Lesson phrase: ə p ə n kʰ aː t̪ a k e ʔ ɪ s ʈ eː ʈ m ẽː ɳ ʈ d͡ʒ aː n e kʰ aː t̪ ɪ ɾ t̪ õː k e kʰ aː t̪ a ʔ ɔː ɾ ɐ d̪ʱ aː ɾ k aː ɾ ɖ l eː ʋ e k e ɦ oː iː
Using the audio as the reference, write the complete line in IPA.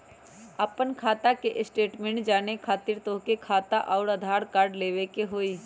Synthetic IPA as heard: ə p ə n kʰ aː t̪ a k e ʔ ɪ s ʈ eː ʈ m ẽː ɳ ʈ d͡ʒ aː n e kʰ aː t̪ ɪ ɾ t̪ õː k e kʰ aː t̪ a ʔ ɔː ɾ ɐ d̪ʱ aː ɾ k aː ɾ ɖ l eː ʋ e k e ɦ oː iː